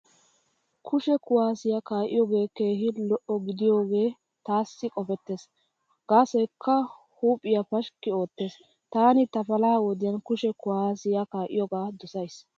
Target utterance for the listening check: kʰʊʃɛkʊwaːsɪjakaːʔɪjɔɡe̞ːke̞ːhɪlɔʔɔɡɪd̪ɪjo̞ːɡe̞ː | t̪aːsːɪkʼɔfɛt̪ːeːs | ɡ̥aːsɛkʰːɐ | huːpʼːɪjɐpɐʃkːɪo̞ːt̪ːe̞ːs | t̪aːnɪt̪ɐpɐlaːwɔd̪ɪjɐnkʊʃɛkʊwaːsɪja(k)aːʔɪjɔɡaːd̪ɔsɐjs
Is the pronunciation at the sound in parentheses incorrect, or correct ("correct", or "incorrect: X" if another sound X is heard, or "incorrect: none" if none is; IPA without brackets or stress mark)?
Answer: correct